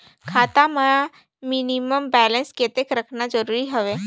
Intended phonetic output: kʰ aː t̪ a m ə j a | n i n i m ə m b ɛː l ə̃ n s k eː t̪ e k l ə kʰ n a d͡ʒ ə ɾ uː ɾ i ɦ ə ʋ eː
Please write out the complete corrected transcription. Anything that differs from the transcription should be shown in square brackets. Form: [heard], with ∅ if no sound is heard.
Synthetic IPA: kʰ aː t̪ a m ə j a | [m] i n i m ə m b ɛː l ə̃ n s k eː t̪ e k [ɾ] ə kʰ n a d͡ʒ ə ɾ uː ɾ i ɦ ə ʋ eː